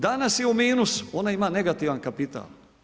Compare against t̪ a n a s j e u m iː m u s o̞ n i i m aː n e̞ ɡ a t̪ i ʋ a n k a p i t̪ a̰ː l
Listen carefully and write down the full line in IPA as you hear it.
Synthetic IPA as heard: d̪ a n a s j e u m iː n u s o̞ n a i m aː n e̞ ɡ a t̪ i ʋ a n k a p i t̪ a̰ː l